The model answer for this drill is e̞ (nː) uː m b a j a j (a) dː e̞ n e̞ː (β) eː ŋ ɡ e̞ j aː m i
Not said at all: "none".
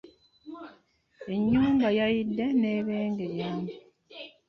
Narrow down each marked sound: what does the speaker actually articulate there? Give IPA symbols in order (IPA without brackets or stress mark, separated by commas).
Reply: ɲː, i, β